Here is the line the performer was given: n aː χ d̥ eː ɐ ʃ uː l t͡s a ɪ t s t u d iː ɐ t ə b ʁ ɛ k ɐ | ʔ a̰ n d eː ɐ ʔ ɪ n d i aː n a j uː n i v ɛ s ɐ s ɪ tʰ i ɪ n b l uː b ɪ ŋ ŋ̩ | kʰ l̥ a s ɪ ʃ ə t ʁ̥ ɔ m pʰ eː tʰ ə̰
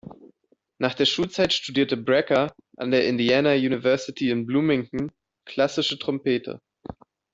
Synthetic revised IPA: n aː χ d̥ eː ɐ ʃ uː l t͡s a ɪ t ʃ t u d iː ɐ t ə b ʁ ɛ k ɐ | ʔ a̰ n d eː ɐ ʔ ɪ n d i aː n a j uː n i v ɛ ɐ s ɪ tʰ i ɪ n b l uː m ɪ ŋ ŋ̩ | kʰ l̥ a s ɪ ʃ ə t ʁ̥ ɔ m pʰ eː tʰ ə̰